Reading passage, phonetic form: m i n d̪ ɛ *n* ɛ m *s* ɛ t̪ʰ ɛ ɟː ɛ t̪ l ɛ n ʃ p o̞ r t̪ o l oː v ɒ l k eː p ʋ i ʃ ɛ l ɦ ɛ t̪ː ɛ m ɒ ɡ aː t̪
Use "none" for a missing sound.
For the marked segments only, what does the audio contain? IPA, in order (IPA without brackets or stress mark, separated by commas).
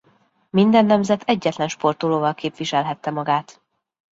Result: nː, z